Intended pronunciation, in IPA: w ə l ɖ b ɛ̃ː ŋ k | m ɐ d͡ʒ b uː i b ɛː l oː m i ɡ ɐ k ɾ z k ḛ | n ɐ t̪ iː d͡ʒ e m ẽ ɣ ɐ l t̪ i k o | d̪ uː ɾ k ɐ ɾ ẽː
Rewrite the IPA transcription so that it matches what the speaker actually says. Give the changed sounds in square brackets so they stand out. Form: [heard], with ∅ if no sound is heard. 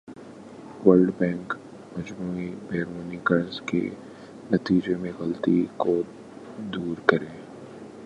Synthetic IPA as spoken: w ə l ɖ b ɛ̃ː ŋ k | m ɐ d͡ʒ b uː i b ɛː [ɾ] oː [n] i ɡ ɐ [∅] ɾ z k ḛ | n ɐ t̪ iː d͡ʒ e m ẽ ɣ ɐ l t̪ i k o | d̪ uː ɾ k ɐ ɾ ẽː